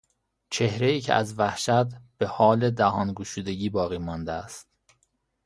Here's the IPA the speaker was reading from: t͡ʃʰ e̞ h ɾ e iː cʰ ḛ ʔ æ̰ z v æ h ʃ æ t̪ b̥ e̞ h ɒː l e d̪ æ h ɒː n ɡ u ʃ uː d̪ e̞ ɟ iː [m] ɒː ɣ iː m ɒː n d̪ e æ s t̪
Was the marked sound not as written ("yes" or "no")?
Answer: yes